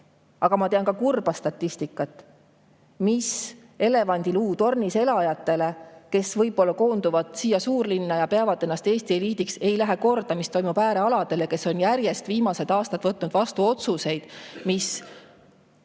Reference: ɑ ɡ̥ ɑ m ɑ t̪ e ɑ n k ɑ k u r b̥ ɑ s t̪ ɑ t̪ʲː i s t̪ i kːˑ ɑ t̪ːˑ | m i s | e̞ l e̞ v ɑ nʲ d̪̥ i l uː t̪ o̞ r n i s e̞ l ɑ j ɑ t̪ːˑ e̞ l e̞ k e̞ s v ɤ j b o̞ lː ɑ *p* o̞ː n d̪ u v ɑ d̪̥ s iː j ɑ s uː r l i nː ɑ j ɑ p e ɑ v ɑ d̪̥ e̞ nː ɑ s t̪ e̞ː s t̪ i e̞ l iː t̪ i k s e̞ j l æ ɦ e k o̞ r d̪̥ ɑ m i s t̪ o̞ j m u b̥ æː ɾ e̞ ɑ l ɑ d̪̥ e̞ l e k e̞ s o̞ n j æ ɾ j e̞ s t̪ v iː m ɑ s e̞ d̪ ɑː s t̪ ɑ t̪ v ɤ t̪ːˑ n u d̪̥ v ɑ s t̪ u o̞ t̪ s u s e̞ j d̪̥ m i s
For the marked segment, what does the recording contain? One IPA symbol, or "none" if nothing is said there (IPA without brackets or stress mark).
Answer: k